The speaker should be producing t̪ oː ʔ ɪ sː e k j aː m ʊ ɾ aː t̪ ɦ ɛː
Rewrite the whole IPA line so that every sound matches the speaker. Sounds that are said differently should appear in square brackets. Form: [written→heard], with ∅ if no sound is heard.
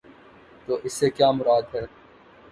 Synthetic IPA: t̪ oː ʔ ɪ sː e k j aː m ʊ ɾ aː [t̪→d̪] ɦ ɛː